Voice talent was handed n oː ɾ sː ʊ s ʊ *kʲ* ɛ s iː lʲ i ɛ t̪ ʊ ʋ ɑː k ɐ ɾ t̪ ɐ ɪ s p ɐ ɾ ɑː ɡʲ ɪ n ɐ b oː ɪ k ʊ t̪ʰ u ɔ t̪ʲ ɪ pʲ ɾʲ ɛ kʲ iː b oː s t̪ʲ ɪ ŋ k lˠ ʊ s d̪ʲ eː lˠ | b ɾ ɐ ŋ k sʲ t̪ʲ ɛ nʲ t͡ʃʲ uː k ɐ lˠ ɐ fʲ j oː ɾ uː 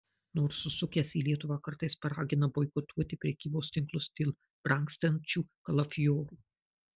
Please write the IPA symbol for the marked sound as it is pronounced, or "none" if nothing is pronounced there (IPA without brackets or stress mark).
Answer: kʲ